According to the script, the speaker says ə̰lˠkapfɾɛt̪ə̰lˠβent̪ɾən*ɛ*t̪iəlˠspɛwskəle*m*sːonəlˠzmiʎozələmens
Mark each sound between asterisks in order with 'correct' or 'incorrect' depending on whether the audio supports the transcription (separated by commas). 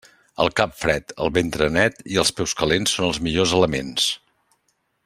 correct, incorrect